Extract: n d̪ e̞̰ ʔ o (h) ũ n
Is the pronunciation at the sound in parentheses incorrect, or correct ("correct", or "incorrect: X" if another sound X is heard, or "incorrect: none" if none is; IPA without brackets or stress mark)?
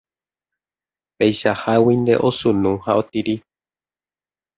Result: incorrect: s